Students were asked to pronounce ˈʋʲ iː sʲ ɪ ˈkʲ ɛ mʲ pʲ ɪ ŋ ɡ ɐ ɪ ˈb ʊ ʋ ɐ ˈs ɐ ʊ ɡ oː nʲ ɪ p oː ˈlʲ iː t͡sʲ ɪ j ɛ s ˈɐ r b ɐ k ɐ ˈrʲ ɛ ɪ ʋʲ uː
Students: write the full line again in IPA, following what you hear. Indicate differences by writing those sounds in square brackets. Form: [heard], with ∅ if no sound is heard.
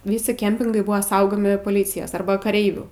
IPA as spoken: ˈʋʲ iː sʲ ɪ ˈkʲ ɛ mʲ pʲ ɪ ŋ ɡ ɐ ɪ ˈb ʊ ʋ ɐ ˈs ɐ ʊ ɡ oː [mʲ] ɪ p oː ˈlʲ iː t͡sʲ ɪ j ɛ s ˈɐ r b ɐ k ɐ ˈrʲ ɛ ɪ ʋʲ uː

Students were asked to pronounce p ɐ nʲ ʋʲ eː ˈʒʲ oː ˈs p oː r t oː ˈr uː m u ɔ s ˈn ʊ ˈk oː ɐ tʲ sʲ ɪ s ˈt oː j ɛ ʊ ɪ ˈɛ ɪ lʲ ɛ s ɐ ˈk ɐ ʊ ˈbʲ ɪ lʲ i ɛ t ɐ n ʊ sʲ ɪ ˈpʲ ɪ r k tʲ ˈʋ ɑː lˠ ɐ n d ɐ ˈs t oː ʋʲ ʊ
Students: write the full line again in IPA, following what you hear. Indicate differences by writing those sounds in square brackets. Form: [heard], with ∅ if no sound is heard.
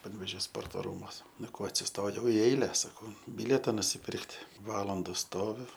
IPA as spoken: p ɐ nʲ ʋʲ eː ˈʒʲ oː ˈs p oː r t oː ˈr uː m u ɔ s ˈn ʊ ˈk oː ɐ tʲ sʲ ɪ s ˈt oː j ɛ ʊ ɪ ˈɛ ɪ lʲ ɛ s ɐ ˈk ɐ ʊ ˈbʲ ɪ lʲ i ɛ t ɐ n ʊ sʲ ɪ ˈpʲ ɪ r k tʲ ˈʋ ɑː lˠ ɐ n d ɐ ˈs t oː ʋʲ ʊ

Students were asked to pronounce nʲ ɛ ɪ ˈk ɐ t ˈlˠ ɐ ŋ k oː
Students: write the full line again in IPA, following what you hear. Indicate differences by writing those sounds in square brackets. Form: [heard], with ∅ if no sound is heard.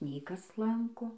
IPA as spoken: nʲ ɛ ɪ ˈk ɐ [s] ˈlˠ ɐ ŋ k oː

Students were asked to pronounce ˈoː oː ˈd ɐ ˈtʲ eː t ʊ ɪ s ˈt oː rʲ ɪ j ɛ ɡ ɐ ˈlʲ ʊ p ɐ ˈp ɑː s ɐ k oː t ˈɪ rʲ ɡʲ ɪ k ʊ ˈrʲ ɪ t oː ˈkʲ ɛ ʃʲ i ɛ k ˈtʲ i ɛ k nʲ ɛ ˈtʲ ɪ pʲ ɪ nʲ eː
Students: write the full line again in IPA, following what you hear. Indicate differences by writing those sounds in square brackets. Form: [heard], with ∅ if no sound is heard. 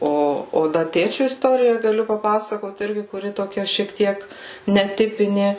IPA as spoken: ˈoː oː ˈd ɐ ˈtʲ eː [t͡ʃʲ] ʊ ɪ s ˈt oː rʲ ɪ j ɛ ɡ ɐ ˈlʲ ʊ p ɐ ˈp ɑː s ɐ k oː t ˈɪ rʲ ɡʲ ɪ k ʊ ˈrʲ ɪ t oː ˈkʲ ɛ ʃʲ i ɛ k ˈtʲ i ɛ k nʲ ɛ ˈtʲ ɪ pʲ ɪ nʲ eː

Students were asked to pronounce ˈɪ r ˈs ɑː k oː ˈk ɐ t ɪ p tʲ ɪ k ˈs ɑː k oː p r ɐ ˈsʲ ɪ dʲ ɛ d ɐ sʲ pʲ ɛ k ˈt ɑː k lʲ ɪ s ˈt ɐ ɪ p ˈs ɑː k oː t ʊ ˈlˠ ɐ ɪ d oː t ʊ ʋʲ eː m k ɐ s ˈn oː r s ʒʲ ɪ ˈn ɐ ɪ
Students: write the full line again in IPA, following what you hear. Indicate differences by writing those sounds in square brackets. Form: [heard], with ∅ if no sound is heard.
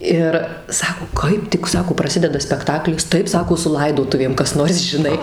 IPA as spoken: ˈɪ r ˈs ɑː k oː ˈk ɐ [∅] ɪ p tʲ ɪ k ˈs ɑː k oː p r ɐ ˈsʲ ɪ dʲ ɛ d ɐ sʲ pʲ ɛ k ˈt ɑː k lʲ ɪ s ˈt ɐ ɪ p ˈs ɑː k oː [s] ʊ ˈlˠ ɐ ɪ d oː t ʊ ʋʲ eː m k ɐ s ˈn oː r s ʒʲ ɪ ˈn ɐ ɪ

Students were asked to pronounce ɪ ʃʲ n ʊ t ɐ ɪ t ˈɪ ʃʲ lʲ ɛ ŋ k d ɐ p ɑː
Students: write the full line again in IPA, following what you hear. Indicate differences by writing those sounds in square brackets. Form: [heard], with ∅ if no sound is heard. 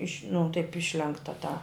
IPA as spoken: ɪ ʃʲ n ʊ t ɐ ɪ [p] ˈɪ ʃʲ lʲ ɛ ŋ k [t] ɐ [t] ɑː

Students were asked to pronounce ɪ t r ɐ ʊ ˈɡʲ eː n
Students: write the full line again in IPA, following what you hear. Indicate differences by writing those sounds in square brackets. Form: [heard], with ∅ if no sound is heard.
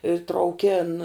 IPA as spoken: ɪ t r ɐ ʊ [ˈkʲ] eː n

